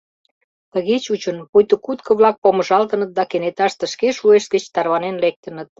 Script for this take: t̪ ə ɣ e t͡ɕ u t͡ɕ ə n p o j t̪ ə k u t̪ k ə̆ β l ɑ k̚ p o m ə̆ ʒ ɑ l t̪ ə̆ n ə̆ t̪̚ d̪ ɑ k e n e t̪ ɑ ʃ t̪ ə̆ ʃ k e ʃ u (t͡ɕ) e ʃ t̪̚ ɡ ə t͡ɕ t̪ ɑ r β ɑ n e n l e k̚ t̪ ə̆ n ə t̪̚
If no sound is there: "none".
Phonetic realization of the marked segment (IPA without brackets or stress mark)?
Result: none